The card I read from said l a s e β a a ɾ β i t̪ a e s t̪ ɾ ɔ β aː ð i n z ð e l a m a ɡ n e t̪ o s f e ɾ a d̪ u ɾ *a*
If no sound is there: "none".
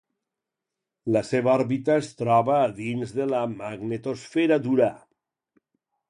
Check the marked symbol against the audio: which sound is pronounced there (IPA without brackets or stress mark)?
a